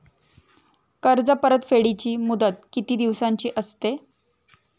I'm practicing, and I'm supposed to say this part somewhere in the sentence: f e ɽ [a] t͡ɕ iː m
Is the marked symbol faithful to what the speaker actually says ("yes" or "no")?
no